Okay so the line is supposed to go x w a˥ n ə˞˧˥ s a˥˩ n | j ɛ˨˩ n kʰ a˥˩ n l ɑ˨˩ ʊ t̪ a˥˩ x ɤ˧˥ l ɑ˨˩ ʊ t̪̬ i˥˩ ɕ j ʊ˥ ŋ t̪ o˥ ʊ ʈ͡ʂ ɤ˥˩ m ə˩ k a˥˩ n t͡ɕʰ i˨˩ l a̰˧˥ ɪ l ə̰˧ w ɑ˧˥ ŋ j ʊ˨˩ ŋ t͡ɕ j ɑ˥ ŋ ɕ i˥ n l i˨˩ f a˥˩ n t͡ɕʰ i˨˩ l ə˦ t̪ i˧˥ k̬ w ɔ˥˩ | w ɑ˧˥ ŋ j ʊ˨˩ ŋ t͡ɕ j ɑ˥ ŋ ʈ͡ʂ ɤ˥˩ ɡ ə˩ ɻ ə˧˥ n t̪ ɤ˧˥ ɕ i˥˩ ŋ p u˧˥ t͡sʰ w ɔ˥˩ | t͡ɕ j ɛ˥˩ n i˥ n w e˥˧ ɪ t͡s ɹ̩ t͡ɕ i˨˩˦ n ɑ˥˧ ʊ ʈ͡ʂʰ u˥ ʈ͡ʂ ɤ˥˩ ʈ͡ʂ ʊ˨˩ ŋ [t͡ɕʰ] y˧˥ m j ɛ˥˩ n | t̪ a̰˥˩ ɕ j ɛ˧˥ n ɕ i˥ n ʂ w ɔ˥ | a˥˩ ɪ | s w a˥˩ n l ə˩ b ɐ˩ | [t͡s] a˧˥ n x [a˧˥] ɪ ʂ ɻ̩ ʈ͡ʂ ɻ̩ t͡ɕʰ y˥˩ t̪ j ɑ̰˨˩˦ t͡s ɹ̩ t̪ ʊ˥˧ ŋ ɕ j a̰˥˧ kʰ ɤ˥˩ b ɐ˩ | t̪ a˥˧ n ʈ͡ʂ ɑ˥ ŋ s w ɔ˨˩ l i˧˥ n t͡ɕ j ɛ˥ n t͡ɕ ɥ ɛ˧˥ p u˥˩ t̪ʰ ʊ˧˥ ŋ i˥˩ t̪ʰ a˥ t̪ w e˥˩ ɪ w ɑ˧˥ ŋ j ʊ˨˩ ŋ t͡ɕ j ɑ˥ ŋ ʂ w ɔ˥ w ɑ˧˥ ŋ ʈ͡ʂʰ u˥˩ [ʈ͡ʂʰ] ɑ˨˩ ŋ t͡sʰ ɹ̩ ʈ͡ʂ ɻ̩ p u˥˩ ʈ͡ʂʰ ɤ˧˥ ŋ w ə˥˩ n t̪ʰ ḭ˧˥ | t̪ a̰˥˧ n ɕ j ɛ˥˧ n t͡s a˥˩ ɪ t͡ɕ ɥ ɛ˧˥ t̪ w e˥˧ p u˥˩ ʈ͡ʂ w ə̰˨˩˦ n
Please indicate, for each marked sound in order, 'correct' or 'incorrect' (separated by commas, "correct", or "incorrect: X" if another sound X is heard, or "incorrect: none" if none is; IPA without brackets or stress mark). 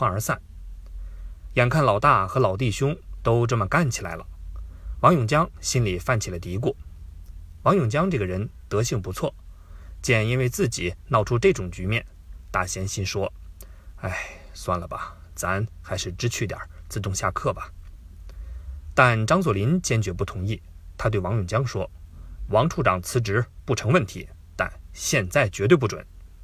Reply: incorrect: t͡ɕ, correct, correct, incorrect: ʈ͡ʂ